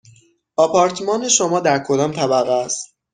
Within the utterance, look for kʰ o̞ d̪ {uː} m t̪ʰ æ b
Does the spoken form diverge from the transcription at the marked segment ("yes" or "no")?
yes